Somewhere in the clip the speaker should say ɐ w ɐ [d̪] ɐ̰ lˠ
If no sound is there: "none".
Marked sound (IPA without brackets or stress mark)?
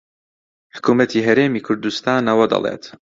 d̪